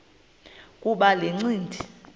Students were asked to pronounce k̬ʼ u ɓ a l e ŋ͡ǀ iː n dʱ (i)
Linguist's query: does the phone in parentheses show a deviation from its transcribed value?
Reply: no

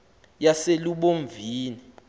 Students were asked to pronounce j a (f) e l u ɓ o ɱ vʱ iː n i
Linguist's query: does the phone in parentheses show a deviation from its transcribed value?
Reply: yes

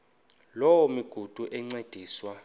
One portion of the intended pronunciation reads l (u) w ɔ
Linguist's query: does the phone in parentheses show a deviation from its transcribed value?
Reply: yes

